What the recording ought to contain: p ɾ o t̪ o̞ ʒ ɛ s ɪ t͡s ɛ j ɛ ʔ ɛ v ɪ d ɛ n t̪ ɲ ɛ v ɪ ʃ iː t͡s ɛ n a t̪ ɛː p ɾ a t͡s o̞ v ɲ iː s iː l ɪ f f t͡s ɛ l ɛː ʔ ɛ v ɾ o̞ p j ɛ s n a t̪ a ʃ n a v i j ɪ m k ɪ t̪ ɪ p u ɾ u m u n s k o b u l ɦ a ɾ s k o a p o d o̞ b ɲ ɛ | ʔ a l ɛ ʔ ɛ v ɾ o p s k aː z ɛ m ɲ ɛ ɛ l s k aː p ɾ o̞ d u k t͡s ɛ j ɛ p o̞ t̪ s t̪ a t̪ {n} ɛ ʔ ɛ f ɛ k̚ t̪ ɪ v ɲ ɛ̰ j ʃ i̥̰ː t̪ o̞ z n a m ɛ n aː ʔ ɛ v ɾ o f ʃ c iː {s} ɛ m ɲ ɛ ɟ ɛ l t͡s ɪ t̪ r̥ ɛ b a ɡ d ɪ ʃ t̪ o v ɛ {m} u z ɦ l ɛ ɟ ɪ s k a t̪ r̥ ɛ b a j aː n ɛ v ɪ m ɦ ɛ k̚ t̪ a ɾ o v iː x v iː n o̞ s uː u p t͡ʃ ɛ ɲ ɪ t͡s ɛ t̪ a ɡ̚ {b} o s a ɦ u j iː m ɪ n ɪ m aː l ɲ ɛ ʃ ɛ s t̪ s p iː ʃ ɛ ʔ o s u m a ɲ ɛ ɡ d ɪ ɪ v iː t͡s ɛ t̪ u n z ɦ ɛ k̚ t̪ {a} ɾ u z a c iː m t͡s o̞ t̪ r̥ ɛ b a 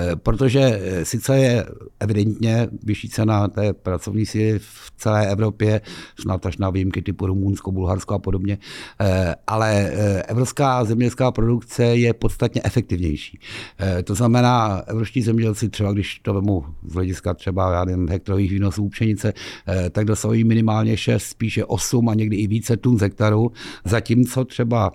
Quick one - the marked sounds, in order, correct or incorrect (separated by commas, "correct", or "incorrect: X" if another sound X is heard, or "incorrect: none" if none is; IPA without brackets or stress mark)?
incorrect: ɲ, incorrect: z, correct, incorrect: d, correct